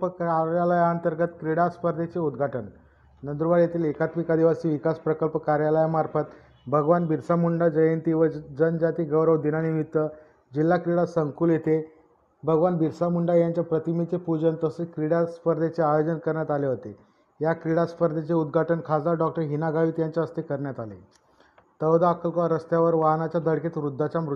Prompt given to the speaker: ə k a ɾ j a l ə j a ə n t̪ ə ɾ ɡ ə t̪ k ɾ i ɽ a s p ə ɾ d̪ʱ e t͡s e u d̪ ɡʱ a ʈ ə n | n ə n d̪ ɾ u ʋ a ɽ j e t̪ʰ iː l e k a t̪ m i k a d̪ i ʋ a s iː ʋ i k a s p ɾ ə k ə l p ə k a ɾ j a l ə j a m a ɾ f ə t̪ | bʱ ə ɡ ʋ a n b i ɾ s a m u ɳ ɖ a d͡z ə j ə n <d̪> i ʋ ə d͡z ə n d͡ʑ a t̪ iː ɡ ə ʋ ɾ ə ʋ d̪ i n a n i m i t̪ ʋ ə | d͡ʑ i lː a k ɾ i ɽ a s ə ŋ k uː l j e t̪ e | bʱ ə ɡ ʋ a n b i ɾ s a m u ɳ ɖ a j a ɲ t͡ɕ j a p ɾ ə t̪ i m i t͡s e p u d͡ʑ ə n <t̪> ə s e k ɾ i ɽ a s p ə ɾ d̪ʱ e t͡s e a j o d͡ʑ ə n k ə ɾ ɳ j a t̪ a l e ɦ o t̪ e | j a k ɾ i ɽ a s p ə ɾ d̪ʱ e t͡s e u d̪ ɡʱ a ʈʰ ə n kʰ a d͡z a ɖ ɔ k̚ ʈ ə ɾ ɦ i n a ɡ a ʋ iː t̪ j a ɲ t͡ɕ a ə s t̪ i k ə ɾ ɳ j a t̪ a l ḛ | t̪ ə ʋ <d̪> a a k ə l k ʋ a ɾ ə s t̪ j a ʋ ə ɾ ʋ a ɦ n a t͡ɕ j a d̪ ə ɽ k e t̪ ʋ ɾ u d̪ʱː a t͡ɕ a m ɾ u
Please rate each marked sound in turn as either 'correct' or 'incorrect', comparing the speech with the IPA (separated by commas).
incorrect, correct, correct